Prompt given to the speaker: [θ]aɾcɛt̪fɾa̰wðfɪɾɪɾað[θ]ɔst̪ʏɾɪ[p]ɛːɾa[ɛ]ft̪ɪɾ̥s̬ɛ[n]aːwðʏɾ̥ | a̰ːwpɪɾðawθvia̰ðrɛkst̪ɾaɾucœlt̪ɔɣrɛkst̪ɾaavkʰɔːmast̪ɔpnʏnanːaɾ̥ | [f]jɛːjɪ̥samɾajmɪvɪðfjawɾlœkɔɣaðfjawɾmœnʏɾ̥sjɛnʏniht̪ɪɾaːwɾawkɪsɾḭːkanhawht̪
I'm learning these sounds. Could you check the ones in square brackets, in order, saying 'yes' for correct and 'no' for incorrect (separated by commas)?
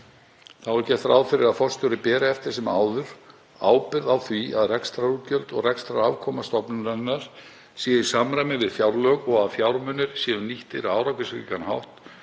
yes, no, yes, yes, no, no